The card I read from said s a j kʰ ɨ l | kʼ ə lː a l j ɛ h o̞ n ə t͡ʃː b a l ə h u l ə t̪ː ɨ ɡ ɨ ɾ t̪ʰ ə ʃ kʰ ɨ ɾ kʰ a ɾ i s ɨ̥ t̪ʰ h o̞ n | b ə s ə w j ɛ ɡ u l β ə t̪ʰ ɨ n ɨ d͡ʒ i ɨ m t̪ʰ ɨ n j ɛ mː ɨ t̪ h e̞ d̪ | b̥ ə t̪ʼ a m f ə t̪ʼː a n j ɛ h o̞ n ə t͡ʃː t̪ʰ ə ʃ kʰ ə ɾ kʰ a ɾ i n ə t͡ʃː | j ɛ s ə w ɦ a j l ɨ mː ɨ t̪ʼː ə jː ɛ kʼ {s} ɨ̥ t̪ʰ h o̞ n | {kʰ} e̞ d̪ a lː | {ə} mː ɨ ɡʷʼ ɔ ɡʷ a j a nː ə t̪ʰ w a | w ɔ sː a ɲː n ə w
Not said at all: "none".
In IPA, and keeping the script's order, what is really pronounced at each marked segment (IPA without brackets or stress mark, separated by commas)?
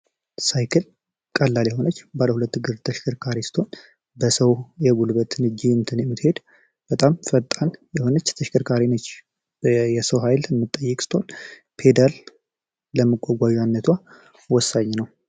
s, pʰ, ə